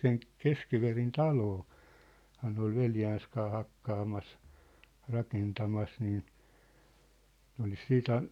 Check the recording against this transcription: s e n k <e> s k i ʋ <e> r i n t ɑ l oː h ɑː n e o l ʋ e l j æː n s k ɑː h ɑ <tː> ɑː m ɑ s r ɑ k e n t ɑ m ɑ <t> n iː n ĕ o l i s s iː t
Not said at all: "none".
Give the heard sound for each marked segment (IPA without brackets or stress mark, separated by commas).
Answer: e, e, kː, s